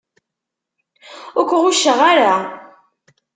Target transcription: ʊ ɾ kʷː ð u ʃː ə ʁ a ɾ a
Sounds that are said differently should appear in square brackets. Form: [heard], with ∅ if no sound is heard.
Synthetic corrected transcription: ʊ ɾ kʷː [ʁ] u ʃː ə ʁ a ɾ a